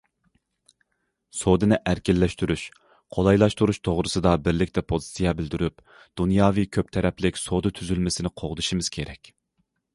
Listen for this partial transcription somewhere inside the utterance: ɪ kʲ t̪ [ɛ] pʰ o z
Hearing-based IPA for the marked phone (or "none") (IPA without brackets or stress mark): ɛ